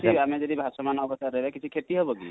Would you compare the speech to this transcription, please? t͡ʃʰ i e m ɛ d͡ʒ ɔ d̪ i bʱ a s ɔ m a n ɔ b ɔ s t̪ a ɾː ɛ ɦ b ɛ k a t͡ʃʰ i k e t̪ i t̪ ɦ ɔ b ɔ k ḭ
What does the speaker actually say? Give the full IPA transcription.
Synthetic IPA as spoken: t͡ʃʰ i a m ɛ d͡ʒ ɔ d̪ i bʱ a s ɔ m a n ɔ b ɔ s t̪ a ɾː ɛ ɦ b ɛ k i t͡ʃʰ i kʰ e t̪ i ɦ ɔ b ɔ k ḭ